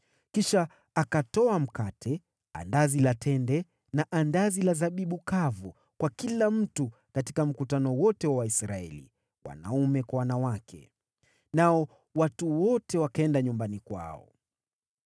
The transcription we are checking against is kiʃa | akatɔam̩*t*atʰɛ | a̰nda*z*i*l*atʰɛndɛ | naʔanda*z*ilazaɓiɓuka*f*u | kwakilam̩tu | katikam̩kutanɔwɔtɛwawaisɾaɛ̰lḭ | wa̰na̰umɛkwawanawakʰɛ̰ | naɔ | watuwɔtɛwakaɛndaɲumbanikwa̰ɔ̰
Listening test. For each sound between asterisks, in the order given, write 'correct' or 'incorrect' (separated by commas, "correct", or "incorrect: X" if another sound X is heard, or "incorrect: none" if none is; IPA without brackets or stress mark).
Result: incorrect: k, correct, correct, correct, incorrect: v